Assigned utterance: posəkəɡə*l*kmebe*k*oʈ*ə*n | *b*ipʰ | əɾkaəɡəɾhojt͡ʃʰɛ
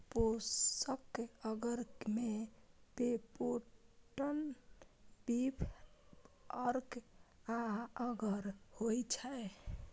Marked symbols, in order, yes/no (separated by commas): no, no, yes, yes